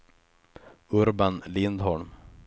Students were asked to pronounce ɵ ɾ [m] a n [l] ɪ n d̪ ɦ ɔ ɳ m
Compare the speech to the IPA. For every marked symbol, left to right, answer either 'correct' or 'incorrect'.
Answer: incorrect: b, correct

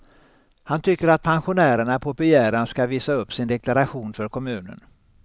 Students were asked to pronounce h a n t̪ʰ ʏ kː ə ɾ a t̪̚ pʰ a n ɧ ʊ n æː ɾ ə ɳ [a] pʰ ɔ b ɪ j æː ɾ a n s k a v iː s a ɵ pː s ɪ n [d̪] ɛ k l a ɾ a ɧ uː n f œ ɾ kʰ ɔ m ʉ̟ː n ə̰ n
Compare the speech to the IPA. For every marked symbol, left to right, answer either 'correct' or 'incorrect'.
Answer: correct, correct

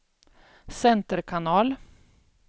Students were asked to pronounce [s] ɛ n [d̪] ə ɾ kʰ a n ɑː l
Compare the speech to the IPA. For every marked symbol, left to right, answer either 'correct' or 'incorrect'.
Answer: correct, incorrect: t̪

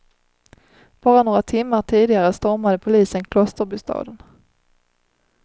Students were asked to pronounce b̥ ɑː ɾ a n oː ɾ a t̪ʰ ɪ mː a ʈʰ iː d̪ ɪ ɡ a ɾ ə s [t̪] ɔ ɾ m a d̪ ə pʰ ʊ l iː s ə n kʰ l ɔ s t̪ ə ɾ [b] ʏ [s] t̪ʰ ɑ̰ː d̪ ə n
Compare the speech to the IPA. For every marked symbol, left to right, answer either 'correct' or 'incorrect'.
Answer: correct, correct, correct

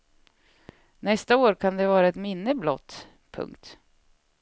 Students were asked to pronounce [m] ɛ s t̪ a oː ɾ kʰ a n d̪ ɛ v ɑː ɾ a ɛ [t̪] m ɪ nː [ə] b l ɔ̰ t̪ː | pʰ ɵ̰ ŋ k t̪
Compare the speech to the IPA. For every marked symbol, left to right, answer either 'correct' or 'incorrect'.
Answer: incorrect: n, correct, correct

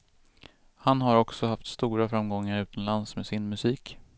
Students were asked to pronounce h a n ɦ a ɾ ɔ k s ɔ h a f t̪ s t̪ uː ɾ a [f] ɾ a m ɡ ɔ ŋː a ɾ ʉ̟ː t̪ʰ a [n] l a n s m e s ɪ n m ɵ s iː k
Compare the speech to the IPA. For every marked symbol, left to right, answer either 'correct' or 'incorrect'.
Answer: correct, correct

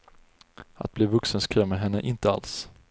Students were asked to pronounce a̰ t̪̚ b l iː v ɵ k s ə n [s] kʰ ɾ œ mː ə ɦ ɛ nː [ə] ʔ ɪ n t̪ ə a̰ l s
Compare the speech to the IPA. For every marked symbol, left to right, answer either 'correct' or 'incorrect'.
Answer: correct, correct

